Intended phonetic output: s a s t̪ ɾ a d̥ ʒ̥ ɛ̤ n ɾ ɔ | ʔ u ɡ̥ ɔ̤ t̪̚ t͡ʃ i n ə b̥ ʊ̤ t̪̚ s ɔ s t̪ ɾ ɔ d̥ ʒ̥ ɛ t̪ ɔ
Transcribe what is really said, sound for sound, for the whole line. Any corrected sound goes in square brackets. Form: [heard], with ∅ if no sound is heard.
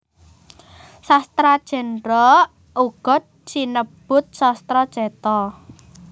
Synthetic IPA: s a s t̪ ɾ a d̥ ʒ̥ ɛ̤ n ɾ ɔ | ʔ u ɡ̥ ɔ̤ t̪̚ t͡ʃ i n ə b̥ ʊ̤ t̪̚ s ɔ s t̪ ɾ ɔ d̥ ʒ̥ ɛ t̪ ɔ